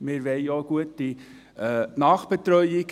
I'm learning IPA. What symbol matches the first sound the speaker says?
m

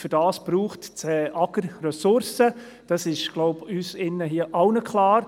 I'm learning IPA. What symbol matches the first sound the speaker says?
f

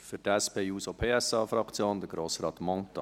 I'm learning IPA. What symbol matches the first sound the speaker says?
f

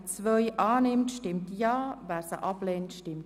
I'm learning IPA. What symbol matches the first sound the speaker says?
t͡s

